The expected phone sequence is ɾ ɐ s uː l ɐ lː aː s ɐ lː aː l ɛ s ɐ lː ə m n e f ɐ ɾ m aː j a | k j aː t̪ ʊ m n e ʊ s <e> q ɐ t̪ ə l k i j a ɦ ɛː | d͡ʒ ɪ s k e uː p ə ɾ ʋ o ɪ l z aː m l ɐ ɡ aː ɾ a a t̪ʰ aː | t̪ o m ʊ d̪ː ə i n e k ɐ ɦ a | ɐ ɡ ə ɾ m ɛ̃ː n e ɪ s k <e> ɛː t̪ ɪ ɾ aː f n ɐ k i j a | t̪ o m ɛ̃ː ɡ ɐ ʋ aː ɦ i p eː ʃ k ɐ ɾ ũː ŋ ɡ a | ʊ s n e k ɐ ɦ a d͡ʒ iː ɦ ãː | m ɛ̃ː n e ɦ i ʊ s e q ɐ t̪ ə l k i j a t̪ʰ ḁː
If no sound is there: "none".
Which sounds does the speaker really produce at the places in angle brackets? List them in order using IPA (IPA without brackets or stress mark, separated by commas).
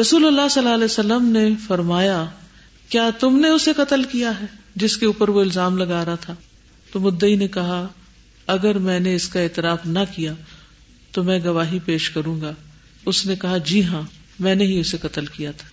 e, a